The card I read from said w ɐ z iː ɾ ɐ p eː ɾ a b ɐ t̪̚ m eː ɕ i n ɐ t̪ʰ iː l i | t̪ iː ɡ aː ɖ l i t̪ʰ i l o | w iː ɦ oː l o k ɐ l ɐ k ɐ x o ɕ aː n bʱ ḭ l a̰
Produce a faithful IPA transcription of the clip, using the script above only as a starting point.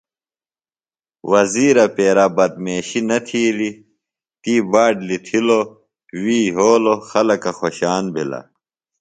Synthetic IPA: w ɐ z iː ɾ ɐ p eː ɾ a b ɐ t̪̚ m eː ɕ i n ɐ t̪ʰ iː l i | t̪ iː b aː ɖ l i t̪ʰ i l o | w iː ɦ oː l o x ɐ l ɐ k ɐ x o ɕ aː n bʱ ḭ l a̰